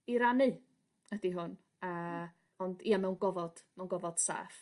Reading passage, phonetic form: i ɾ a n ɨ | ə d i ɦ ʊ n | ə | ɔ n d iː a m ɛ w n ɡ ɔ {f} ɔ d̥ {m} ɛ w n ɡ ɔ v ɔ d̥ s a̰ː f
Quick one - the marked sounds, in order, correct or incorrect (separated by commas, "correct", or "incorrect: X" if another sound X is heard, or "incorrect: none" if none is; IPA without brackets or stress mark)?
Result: incorrect: v, correct